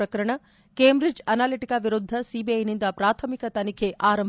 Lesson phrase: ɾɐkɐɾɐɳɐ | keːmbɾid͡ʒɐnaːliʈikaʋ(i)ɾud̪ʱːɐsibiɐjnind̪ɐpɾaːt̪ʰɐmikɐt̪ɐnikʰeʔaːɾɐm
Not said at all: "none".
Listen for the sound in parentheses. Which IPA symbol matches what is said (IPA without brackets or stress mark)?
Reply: i